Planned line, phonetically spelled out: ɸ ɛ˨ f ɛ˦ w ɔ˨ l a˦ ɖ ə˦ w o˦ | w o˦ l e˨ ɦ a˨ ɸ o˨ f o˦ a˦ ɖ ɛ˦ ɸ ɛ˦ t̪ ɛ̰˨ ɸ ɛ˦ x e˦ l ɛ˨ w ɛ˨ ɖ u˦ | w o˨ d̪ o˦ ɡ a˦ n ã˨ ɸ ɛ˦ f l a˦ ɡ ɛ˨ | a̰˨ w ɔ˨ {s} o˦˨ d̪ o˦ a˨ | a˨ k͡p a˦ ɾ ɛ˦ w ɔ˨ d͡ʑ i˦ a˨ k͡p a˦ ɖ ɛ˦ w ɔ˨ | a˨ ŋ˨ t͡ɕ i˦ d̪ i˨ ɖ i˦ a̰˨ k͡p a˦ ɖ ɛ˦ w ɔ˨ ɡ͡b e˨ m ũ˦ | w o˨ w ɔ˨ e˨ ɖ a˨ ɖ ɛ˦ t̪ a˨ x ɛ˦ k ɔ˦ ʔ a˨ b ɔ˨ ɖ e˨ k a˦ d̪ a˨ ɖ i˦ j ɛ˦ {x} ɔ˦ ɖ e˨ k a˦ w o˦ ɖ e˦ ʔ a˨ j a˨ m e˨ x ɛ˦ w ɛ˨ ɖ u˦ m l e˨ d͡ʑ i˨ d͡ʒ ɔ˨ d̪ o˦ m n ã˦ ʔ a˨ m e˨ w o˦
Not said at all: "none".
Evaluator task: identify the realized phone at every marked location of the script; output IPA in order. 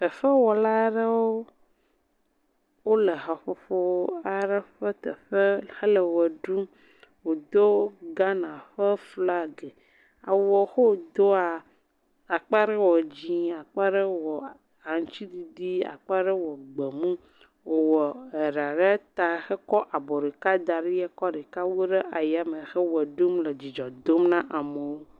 x, k

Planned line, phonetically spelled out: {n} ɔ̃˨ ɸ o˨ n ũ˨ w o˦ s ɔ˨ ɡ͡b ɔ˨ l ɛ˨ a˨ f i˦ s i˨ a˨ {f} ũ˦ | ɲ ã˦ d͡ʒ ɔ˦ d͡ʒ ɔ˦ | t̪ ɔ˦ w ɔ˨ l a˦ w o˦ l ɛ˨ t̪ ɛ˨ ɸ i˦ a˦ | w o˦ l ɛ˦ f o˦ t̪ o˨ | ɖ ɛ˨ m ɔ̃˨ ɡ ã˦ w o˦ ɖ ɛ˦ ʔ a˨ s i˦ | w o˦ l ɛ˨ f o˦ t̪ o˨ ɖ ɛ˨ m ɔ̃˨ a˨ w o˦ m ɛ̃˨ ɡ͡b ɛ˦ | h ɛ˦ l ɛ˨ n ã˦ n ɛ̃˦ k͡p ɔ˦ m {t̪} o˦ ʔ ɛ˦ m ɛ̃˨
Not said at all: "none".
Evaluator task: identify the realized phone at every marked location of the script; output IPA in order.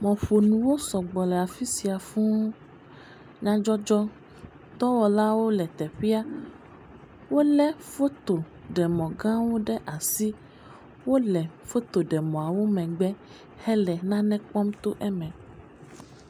m, f, t̪

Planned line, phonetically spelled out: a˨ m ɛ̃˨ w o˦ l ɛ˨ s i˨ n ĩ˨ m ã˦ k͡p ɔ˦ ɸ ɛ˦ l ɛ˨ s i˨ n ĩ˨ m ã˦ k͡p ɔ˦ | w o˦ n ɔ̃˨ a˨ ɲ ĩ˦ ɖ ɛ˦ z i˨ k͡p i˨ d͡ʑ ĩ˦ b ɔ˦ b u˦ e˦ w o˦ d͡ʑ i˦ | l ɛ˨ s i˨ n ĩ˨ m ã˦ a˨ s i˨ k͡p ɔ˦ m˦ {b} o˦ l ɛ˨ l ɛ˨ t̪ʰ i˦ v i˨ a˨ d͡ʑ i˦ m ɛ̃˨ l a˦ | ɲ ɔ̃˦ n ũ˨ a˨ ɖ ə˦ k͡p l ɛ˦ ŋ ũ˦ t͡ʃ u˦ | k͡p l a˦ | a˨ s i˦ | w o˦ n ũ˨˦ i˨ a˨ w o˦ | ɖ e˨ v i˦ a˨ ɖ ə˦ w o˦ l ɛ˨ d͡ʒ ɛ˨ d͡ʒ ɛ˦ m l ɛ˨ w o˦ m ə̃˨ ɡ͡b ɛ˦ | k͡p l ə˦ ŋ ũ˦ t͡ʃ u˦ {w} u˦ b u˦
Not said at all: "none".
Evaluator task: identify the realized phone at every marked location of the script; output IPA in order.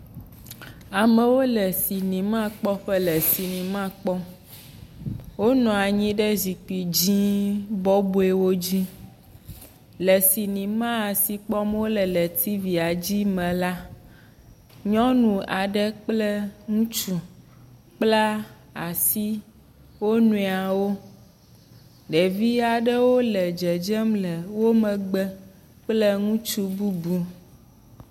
w, b

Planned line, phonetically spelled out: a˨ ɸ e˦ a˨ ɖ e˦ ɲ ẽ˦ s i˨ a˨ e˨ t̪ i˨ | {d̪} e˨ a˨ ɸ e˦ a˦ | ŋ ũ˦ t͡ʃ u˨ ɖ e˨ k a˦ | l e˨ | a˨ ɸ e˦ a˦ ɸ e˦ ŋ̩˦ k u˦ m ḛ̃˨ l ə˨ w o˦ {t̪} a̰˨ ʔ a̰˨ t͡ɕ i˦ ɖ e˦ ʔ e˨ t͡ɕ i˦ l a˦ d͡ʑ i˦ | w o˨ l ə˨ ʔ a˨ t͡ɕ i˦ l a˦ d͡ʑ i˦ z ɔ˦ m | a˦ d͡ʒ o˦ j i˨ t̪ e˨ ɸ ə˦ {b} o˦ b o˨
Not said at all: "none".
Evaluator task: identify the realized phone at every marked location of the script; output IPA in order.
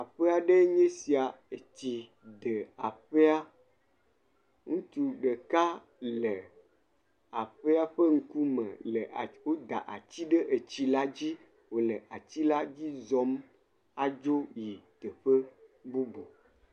d̪, d̪, b

